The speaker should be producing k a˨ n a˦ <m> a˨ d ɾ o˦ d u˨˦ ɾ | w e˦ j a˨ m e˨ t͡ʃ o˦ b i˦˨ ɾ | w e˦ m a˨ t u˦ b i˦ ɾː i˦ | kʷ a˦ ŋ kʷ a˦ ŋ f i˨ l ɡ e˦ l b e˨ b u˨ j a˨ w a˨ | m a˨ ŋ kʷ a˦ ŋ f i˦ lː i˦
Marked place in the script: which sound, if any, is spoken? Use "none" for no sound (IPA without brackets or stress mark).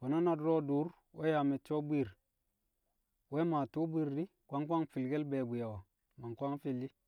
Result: n